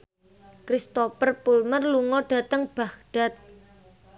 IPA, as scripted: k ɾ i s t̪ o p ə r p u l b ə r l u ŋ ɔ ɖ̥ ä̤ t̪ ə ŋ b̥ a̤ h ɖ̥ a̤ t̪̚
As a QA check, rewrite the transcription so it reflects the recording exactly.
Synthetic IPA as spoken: k ɾ i s t̪ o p ə r p u l m ə r l u ŋ ɔ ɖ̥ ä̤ t̪ ə ŋ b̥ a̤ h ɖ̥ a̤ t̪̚